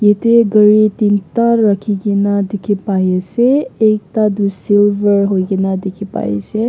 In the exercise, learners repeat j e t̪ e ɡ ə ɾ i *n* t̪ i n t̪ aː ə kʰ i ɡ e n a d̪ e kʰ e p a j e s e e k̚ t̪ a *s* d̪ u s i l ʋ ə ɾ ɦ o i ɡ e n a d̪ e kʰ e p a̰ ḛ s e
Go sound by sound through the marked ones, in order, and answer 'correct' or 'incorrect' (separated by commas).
incorrect, incorrect